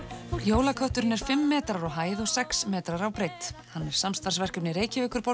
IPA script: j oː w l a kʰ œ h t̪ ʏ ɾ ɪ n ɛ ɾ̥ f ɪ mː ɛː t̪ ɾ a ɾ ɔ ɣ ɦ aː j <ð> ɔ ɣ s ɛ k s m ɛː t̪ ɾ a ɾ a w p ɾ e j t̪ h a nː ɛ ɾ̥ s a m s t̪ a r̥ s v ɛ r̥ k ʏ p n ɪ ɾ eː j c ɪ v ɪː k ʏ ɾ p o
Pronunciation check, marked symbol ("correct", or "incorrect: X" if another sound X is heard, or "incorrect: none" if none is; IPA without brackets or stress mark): correct